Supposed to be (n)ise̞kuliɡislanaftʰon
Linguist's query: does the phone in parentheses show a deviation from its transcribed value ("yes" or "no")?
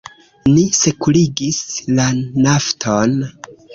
no